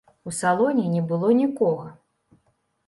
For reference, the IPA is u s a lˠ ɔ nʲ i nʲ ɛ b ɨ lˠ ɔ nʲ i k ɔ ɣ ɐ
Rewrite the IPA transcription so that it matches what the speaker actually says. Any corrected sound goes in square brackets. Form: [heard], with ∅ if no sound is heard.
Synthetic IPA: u s a lˠ ɔ nʲ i nʲ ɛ b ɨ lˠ ɔ nʲ i k ɔ ɣ ɐ